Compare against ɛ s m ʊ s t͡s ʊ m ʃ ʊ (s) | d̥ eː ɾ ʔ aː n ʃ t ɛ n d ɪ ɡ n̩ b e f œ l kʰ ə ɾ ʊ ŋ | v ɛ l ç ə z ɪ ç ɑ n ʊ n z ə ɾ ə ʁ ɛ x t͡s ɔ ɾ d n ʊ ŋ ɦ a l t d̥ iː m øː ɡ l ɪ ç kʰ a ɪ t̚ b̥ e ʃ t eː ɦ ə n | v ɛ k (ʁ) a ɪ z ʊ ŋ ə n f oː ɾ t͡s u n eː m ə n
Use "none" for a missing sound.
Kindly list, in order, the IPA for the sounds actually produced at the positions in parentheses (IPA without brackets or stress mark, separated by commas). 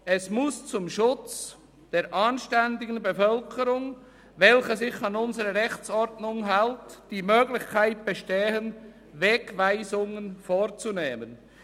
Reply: t͡s, v